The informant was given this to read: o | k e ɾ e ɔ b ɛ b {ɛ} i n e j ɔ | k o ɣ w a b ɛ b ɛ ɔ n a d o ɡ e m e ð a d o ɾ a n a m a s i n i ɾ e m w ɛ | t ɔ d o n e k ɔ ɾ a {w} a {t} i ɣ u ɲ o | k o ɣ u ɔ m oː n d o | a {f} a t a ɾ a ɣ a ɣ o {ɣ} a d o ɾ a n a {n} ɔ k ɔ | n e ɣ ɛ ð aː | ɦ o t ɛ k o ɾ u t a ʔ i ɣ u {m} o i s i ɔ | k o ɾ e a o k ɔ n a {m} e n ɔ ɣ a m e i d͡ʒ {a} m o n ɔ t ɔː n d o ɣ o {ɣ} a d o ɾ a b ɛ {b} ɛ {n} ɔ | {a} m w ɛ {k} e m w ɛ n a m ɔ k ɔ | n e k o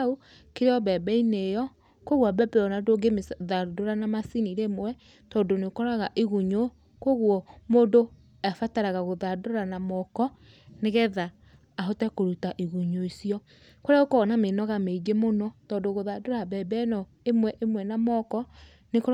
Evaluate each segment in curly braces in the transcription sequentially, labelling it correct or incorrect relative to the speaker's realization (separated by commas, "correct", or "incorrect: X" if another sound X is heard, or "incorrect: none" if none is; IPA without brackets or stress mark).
correct, incorrect: ɣ, incorrect: ʔ, correct, incorrect: ð, incorrect: m, incorrect: ɲ, correct, incorrect: e, incorrect: ð, correct, correct, incorrect: e, incorrect: ʔ